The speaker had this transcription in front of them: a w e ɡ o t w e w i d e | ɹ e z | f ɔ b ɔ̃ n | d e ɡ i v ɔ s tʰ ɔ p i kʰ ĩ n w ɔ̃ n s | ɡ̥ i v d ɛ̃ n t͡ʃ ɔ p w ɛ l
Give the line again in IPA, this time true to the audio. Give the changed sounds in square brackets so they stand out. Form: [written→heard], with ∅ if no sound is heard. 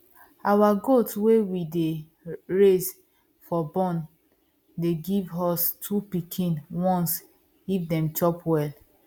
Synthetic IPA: a w [e→a] ɡ o t w e w i d e | ɹ e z | f ɔ b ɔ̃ n | d e ɡ i v ɔ s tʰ [ɔ→u] p i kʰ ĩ n w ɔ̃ n s | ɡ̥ i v d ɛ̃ [n→m] t͡ʃ ɔ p w ɛ l